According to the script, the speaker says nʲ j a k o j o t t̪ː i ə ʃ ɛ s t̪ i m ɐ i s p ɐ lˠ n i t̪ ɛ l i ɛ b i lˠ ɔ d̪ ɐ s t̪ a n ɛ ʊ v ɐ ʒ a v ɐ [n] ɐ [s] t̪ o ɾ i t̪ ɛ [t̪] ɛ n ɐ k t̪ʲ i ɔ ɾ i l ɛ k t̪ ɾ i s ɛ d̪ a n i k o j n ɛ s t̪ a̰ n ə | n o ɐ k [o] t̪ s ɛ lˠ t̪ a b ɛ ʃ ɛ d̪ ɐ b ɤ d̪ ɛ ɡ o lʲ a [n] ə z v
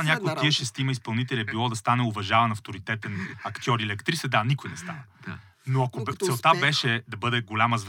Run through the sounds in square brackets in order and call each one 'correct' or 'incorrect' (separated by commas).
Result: correct, incorrect, correct, correct, incorrect